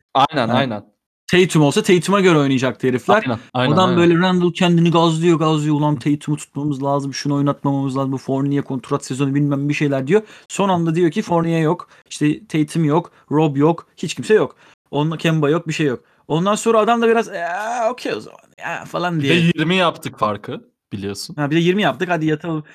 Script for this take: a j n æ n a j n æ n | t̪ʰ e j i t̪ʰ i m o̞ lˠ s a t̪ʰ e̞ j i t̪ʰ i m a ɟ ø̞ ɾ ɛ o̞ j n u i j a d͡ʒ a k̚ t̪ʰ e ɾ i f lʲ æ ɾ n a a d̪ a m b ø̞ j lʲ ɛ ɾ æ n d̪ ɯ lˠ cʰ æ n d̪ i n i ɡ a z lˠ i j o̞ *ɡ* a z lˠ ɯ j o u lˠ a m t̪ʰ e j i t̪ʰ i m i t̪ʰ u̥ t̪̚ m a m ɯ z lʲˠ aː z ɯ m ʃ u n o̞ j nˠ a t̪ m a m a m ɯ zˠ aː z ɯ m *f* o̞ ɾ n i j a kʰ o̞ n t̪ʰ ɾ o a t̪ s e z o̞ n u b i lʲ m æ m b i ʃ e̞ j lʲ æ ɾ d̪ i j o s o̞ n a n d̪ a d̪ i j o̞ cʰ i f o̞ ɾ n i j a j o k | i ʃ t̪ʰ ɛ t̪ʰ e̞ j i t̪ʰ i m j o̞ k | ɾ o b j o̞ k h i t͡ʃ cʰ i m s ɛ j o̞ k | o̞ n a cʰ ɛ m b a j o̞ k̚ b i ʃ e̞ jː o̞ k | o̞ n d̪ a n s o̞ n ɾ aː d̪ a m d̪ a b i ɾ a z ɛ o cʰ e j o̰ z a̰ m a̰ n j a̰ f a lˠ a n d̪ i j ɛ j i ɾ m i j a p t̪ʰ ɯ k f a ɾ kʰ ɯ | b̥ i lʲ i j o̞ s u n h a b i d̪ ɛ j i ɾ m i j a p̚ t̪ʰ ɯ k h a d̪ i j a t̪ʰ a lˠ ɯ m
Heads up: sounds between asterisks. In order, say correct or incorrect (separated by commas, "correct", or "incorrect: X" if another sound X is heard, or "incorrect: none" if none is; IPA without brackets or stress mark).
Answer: correct, correct